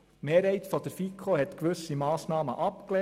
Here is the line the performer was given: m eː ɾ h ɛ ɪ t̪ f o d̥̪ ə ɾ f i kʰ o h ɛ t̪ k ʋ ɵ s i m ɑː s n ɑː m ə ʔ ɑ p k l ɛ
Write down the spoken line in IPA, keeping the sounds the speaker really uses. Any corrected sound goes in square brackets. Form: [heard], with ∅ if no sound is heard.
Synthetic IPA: m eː ɾ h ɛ ɪ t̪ f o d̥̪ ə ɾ f i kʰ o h ɛ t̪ k ʋ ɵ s i m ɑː s n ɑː m ə ʔ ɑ p k l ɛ